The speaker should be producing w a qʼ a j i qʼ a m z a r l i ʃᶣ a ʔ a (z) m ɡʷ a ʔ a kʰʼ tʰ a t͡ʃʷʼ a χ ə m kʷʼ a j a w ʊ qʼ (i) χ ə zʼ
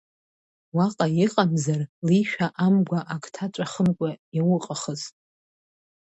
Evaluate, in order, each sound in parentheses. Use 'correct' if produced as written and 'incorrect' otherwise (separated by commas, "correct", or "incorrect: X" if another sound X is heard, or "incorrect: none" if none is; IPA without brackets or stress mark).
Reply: incorrect: none, incorrect: a